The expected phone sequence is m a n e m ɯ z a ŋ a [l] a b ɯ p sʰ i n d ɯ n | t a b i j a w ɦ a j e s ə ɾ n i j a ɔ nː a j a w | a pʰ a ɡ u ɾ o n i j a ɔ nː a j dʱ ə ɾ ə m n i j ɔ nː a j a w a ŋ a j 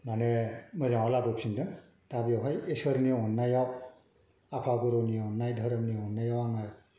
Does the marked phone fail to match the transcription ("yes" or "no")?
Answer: no